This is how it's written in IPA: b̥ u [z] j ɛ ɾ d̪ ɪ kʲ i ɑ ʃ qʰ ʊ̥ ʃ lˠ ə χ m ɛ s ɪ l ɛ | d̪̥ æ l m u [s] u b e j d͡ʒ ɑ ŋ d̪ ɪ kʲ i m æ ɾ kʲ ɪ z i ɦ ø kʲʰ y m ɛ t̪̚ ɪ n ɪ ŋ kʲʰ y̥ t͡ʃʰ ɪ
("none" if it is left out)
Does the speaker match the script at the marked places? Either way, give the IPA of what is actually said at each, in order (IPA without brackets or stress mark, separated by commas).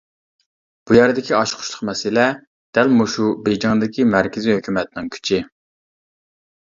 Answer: none, ʃ